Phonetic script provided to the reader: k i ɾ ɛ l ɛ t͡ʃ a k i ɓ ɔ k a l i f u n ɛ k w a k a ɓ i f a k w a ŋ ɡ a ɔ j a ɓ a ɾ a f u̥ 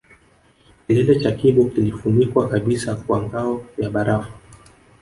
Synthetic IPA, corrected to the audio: k i l ɛ l ɛ t͡ʃ a k i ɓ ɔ k i l i f u n i k w a k a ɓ i s a k w a ŋ ɡ a ɔ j a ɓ a ɾ a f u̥